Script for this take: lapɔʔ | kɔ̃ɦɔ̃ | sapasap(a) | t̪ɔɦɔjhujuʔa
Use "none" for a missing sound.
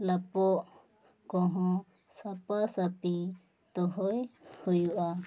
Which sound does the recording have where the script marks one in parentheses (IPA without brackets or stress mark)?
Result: i